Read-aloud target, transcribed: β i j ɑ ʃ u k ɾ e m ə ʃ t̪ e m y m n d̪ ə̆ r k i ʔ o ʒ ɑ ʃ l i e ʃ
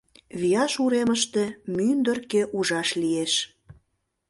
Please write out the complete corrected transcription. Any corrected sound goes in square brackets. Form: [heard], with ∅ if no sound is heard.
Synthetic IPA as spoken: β i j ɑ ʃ u [∅] ɾ e m ə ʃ t̪ e m y [∅] n d̪ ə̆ r k [e] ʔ [u] ʒ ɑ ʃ l i e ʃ

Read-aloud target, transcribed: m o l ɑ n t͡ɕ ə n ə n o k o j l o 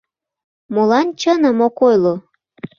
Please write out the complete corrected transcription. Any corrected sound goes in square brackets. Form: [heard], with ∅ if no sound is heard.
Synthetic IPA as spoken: m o l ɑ n t͡ɕ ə n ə [m] o k o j l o

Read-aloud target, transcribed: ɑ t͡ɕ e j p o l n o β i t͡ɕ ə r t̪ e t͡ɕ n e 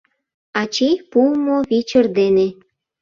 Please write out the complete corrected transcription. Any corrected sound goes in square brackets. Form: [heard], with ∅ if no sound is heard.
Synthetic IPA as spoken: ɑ t͡ɕ e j p [u] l [m] o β i t͡ɕ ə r [d̪] e [∅] n e

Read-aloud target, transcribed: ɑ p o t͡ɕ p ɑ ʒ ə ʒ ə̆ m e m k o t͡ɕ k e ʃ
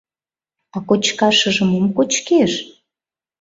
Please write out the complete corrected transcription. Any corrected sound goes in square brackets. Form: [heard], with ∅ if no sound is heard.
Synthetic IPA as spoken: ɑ [k] o t͡ɕ [k] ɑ [ʃ] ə ʒ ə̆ m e m k o t͡ɕ k e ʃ

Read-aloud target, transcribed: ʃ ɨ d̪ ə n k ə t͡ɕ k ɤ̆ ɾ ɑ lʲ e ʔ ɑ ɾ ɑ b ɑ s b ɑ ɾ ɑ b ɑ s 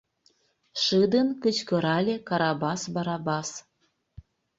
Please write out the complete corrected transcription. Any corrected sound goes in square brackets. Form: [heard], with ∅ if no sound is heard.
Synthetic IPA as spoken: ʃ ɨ d̪ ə n k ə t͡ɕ k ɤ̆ ɾ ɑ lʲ e [k] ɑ ɾ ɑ b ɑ s b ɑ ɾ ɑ b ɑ s

